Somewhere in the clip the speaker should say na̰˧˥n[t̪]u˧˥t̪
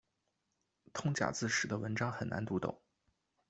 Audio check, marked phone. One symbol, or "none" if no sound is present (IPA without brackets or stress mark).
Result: t̪